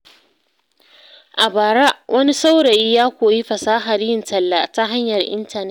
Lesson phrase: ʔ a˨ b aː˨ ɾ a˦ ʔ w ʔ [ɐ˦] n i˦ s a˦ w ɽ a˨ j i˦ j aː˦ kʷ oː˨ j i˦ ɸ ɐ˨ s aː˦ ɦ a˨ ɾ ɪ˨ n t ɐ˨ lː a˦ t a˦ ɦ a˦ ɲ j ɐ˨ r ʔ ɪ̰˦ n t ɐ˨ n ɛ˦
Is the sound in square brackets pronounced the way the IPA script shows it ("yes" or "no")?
yes